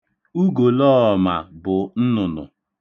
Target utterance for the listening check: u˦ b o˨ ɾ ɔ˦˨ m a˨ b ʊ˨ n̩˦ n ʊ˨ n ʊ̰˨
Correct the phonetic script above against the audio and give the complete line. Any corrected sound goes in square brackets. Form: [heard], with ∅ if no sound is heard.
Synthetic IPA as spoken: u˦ [ɡ] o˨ [l] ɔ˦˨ m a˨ b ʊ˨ n̩˦ n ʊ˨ n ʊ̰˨